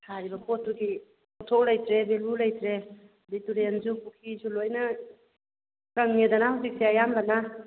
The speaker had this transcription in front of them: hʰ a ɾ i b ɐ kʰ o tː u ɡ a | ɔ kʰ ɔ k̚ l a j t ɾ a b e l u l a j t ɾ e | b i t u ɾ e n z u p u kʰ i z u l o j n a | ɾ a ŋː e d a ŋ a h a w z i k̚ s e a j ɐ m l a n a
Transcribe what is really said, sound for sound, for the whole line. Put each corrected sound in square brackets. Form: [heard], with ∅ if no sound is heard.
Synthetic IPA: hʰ a ɾ i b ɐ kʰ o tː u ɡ [i] | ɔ [tʰ] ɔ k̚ l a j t ɾ [e] b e l u l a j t ɾ e | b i t u ɾ e n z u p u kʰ i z u l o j n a | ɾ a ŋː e d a [n] a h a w z i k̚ s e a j [a] m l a n a